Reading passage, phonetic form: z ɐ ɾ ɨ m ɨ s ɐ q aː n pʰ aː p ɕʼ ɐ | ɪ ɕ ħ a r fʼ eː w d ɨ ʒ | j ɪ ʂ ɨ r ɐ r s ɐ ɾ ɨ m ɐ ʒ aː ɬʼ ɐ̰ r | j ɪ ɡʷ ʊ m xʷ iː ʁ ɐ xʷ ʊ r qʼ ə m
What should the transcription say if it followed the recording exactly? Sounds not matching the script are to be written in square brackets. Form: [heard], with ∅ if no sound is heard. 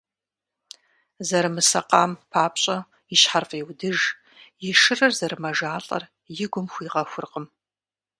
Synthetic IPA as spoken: z ɐ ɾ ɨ m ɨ s ɐ q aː [m] pʰ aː p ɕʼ ɐ | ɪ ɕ ħ a r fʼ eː w d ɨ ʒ | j ɪ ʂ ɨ r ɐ r [z] ɐ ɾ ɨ m ɐ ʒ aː ɬʼ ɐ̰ r | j ɪ ɡʷ ʊ m xʷ iː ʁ ɐ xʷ ʊ r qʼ ə m